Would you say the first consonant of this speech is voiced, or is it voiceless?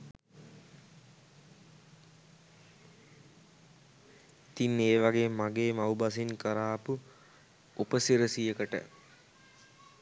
voiceless